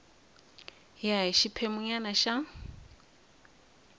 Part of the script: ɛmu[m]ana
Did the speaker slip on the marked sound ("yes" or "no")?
yes